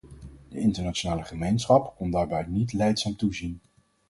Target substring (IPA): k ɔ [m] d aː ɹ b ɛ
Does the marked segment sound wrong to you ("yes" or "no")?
yes